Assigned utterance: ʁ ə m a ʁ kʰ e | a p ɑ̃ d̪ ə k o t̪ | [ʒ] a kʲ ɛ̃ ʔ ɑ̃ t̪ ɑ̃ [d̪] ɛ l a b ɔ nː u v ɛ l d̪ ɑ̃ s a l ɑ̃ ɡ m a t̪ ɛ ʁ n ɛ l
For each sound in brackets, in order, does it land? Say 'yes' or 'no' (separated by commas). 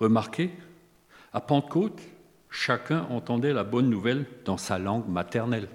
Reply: no, yes